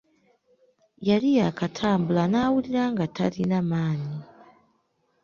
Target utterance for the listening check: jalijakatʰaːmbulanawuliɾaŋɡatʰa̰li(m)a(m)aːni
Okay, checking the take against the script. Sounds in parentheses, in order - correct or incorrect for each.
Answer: incorrect, correct

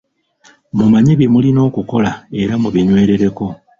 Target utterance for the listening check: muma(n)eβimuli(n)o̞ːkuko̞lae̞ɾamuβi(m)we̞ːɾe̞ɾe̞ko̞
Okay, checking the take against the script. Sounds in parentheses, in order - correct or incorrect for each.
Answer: incorrect, correct, incorrect

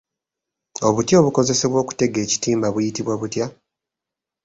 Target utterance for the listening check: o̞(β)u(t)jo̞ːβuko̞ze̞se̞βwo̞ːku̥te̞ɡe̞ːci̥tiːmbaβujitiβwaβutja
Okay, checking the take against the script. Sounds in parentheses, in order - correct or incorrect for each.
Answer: correct, correct

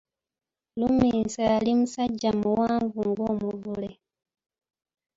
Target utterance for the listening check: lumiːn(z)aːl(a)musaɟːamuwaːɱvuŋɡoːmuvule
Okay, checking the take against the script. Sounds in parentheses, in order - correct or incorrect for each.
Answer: incorrect, incorrect

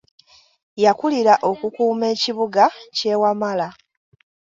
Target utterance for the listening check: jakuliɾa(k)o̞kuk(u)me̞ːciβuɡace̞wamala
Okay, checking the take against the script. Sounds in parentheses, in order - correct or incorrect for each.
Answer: incorrect, incorrect

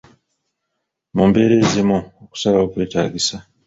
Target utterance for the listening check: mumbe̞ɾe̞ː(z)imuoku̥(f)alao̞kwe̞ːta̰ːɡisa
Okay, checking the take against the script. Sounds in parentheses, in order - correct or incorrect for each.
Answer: correct, incorrect

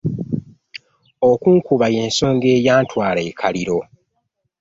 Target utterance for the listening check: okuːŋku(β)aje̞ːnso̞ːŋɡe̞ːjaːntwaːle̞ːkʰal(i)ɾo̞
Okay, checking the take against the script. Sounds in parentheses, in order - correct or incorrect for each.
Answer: correct, correct

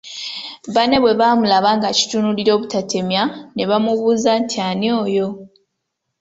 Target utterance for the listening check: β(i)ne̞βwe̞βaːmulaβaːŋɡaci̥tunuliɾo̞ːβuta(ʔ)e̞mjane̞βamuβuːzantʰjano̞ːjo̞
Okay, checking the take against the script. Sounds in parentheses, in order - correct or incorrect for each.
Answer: incorrect, incorrect

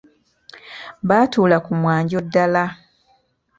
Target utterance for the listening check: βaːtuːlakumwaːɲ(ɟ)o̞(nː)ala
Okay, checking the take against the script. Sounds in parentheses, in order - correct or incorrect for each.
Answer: correct, incorrect

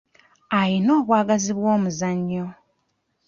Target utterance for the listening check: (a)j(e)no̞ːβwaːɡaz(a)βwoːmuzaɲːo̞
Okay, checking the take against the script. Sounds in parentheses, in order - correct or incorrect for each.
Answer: correct, incorrect, incorrect

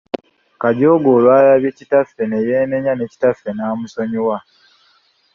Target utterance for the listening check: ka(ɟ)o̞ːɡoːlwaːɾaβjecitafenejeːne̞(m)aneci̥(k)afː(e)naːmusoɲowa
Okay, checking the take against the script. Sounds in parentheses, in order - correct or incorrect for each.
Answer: correct, incorrect, incorrect, correct

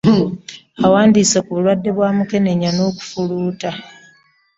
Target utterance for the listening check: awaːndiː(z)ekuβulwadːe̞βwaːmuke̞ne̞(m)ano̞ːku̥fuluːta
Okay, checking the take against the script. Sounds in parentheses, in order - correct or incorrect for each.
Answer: incorrect, incorrect

